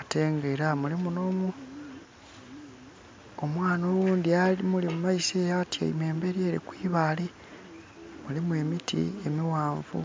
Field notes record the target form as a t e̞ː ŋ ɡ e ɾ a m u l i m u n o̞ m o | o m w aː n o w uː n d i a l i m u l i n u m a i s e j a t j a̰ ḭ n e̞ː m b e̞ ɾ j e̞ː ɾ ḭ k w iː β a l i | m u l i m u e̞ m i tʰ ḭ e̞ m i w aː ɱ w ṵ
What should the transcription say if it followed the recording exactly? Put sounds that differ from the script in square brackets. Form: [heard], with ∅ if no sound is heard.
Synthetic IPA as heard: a t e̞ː ŋ ɡ e ɾ a m u l i m u n o̞ m [u] | o m w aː n o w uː n d i a l i m u l i [m] u m a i s e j a t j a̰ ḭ [m] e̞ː m b e̞ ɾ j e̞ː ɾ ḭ k w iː β a l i | m u l i m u e̞ m i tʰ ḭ e̞ m i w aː ɱ [v] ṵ